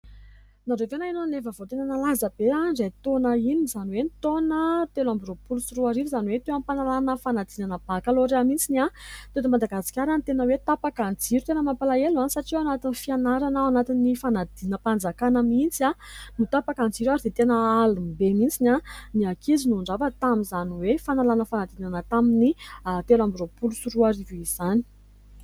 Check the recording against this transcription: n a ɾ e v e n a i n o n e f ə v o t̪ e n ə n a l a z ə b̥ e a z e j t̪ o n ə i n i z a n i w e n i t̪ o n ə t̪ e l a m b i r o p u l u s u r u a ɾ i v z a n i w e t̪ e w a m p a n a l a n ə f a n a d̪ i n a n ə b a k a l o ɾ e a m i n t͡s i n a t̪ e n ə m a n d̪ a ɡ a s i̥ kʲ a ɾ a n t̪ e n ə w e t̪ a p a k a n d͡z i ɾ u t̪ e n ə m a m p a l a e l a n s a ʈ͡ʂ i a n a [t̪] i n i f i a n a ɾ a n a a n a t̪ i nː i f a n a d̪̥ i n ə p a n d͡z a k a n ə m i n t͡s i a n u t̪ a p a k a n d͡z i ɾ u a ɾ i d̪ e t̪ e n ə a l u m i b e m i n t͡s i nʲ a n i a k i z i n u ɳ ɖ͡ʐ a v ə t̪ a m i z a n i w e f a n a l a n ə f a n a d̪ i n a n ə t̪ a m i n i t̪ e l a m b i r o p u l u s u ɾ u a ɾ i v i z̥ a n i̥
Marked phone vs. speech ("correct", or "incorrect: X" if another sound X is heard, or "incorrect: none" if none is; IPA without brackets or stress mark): correct